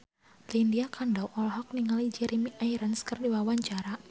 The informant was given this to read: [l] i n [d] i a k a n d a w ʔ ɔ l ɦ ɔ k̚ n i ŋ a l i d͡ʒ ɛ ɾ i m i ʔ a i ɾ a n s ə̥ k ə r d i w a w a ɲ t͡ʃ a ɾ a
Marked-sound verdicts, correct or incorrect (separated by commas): correct, correct